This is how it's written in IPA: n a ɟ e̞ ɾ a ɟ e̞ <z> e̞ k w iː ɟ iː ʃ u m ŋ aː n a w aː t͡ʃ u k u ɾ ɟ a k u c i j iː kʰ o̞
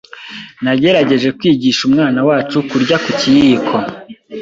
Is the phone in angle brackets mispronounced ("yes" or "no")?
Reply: yes